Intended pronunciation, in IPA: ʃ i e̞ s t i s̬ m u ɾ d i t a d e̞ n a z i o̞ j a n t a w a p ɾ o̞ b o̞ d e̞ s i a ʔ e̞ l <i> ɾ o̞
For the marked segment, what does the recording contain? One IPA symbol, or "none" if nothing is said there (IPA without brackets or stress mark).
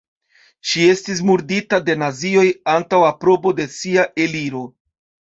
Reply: i